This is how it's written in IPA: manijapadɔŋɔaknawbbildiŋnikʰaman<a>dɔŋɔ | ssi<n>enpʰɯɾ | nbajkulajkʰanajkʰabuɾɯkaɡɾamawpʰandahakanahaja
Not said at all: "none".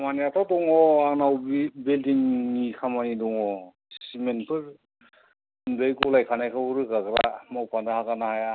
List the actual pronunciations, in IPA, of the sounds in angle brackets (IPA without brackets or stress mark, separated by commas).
i, m